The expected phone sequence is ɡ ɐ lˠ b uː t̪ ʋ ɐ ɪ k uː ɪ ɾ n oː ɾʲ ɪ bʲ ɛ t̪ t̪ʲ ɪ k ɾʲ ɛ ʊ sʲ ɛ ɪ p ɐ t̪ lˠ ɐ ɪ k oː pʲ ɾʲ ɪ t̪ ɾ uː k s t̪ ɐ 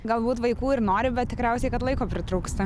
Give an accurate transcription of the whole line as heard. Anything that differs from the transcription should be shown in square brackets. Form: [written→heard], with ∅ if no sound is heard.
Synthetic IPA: ɡ ɐ lˠ b uː t̪ ʋ ɐ ɪ k uː ɪ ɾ n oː ɾʲ ɪ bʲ ɛ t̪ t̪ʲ ɪ k ɾʲ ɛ ʊ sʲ ɛ ɪ [p→k] ɐ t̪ lˠ ɐ ɪ k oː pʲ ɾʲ ɪ t̪ ɾ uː k s t̪ ɐ